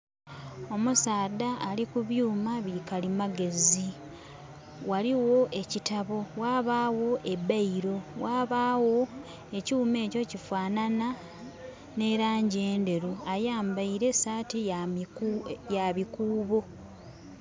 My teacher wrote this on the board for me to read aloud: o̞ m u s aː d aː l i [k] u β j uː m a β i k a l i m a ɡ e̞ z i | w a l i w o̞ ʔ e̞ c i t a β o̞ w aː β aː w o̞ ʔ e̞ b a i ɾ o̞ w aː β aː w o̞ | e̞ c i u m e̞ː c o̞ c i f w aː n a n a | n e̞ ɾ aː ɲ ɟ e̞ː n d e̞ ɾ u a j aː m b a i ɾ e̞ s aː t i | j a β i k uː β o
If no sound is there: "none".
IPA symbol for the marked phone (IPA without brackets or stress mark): k